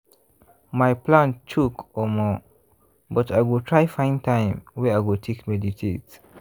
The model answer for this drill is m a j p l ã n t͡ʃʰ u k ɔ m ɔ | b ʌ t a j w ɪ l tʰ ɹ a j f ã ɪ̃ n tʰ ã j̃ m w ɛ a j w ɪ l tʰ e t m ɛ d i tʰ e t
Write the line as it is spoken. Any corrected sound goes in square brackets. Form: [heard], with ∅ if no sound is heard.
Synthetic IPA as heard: m a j p l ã n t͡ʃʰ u k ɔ m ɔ | b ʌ t a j w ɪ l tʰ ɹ a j f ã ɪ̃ n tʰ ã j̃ m w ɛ a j w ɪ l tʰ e [k] m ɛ d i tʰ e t